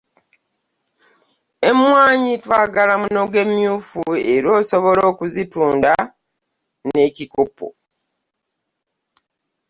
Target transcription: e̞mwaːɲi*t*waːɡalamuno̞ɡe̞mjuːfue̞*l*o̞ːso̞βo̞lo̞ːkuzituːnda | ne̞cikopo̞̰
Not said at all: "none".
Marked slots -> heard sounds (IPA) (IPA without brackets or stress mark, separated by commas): t, ɾ